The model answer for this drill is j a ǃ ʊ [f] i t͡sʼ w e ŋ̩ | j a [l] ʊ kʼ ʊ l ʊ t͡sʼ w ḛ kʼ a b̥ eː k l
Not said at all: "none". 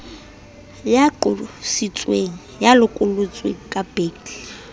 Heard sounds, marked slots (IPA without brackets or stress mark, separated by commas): s, l